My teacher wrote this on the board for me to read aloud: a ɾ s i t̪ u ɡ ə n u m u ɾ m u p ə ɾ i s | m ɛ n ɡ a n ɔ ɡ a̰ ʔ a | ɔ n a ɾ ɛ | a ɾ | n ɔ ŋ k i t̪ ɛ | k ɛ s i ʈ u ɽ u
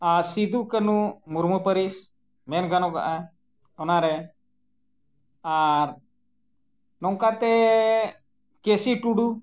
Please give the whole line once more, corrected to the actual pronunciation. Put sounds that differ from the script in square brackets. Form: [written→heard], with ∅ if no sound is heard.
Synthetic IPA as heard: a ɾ s i [t̪→d̪] u [ɡ→k] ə n u m u ɾ m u p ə ɾ i s | m ɛ n ɡ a n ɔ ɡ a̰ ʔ a | ɔ n a ɾ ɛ | a ɾ | n ɔ ŋ k [i→a] t̪ ɛ | k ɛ s i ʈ u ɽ u